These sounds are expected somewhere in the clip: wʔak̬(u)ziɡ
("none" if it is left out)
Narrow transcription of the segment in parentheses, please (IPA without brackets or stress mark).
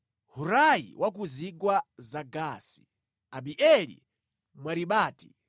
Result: u